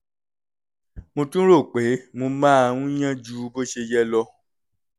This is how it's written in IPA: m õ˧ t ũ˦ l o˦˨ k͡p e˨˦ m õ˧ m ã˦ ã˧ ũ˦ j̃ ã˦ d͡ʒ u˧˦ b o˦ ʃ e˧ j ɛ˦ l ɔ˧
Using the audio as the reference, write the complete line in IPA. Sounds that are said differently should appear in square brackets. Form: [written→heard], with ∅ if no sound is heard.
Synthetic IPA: m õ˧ t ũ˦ [l→ɾ] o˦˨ k͡p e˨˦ m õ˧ m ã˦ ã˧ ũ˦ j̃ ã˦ d͡ʒ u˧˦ b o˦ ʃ e˧ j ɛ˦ l ɔ˧